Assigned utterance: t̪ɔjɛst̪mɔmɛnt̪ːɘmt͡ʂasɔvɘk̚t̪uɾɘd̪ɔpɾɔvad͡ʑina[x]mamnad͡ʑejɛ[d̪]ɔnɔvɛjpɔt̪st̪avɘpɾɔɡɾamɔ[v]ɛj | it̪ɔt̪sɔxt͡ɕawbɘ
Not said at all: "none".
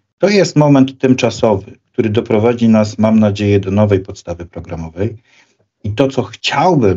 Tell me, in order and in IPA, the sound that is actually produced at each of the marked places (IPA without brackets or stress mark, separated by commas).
s, d̪, v